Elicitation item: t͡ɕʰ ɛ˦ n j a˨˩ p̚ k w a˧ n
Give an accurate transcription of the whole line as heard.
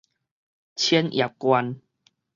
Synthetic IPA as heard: t͡ɕʰ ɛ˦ n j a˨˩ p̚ k w a˧ n